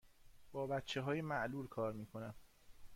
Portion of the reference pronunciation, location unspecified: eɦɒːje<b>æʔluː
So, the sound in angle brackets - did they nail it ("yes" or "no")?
no